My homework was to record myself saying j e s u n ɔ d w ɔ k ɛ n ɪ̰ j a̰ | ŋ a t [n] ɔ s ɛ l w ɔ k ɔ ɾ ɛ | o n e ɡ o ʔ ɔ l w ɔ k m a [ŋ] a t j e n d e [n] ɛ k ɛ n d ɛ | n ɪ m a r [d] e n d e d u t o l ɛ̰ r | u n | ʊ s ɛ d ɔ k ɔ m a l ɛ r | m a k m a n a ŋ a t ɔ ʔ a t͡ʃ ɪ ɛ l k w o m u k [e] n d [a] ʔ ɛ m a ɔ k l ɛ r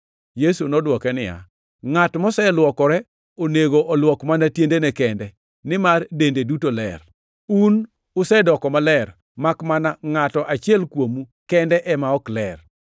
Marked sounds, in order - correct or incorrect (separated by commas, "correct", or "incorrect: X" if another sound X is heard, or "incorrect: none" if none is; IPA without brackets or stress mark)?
incorrect: m, incorrect: n, correct, correct, incorrect: ɛ, incorrect: ɛ